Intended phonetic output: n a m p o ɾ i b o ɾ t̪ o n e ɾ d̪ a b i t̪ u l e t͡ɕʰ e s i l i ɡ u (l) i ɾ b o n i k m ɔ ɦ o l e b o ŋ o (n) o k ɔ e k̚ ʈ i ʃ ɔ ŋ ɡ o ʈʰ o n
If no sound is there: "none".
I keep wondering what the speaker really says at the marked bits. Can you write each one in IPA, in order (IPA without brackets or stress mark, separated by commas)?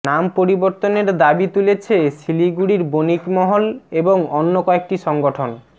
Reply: ɽ, nː